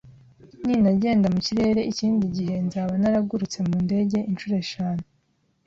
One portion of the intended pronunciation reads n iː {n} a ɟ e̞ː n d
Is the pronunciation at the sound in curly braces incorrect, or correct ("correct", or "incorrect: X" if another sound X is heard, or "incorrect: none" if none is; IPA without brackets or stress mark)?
correct